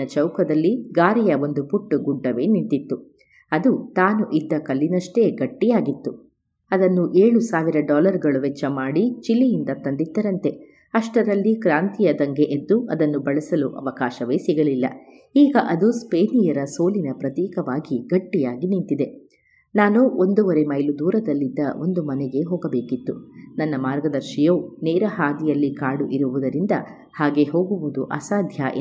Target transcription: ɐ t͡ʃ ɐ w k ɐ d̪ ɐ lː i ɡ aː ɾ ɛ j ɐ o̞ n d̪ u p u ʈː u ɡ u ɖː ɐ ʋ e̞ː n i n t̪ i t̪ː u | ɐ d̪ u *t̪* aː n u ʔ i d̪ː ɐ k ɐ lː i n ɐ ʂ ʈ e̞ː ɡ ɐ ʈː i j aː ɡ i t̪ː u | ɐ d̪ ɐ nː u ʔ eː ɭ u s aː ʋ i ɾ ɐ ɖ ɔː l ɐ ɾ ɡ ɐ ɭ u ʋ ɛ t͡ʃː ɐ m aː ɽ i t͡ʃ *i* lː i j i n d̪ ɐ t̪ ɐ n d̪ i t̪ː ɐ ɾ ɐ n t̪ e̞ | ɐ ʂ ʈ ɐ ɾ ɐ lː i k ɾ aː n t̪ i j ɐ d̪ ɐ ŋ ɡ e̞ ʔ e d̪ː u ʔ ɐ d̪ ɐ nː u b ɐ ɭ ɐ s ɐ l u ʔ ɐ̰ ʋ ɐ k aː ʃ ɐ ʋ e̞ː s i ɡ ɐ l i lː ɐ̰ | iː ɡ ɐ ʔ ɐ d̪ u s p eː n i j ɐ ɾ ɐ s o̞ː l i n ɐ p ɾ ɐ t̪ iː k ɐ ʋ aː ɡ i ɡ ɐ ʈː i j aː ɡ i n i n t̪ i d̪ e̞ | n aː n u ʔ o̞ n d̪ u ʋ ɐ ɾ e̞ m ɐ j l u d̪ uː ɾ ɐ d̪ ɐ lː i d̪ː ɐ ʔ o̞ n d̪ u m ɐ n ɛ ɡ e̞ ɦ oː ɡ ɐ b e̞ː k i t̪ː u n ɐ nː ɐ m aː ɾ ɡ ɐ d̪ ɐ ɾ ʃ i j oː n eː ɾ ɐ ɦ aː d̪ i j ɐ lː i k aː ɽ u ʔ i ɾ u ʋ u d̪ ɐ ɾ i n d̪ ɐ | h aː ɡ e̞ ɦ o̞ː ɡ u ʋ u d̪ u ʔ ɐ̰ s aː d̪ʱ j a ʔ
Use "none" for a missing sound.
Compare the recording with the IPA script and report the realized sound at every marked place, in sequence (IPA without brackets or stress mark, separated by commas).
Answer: t̪, i